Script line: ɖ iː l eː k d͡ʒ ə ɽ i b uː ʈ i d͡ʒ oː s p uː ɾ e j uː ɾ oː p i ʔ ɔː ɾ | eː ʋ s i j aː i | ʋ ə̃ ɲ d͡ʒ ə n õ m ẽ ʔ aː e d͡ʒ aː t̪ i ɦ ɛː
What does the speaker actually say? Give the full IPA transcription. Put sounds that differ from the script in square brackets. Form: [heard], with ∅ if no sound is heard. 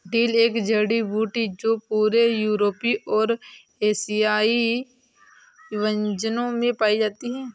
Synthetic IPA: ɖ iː l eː k d͡ʒ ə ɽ i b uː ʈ i d͡ʒ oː [∅] p uː ɾ e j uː ɾ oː p i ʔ ɔː ɾ | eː [∅] s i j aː i | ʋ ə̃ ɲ d͡ʒ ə n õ m ẽ [p] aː [i] d͡ʒ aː t̪ i ɦ ɛː